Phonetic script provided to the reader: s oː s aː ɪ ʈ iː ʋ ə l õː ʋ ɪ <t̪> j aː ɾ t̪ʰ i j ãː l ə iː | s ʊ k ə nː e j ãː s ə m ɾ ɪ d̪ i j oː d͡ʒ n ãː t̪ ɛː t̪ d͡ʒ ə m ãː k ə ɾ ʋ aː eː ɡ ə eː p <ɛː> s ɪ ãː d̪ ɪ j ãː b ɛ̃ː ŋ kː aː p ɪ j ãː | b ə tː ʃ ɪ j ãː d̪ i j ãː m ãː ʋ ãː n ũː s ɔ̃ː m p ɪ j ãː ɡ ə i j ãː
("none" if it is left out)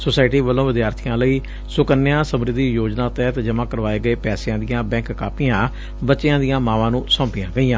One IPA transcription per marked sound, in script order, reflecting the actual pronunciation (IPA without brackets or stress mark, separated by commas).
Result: d̪, ɛː